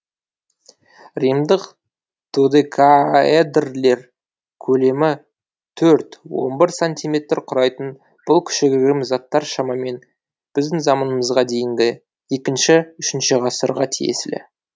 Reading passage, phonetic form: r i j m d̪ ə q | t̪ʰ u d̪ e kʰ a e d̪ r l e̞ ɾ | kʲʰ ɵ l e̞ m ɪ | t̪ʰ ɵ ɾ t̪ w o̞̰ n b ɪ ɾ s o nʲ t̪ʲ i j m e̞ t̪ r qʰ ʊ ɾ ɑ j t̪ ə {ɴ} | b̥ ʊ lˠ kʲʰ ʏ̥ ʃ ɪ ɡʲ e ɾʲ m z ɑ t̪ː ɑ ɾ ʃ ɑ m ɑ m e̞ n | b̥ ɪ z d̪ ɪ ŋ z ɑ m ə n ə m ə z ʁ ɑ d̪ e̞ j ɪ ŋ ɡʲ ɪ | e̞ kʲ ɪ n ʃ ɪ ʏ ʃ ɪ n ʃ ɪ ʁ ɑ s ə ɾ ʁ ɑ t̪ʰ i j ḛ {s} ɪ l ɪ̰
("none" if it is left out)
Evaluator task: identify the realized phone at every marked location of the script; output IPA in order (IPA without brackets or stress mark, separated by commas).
n, s